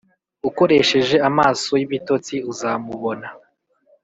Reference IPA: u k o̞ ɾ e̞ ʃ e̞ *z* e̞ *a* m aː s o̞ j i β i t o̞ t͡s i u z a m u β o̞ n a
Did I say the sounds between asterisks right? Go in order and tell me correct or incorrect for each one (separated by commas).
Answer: incorrect, correct